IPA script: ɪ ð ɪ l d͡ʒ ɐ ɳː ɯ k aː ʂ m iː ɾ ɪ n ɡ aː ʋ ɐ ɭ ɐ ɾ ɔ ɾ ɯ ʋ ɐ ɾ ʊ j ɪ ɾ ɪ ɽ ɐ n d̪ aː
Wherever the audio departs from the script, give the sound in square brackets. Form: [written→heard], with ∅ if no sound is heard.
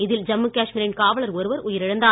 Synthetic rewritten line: ɪ ð ɪ l d͡ʒ ɐ [ɳː→mː] ɯ k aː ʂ m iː ɾ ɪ n [ɡ→k] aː ʋ ɐ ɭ ɐ ɾ ɔ ɾ ɯ ʋ ɐ ɾ ʊ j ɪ ɾ ɪ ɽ ɐ n d̪ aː